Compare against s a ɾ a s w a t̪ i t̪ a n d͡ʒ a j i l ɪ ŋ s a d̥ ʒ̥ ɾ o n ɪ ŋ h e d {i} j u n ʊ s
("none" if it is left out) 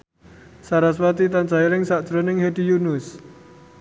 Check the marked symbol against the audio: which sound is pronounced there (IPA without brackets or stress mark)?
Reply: i